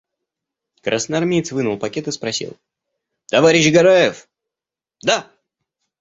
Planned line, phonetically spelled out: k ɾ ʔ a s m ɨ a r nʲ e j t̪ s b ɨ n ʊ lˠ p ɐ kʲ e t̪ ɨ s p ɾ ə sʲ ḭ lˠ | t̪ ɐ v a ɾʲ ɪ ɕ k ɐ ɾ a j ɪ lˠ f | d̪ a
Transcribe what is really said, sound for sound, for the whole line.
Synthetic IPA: k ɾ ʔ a s n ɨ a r mʲ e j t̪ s v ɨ n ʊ lˠ p ɐ kʲ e t̪ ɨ s p ɾ ɐ sʲ ḭ lˠ | t̪ ɐ v a ɾʲ ɪ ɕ ɡ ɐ ɾ a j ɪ f | d̪ a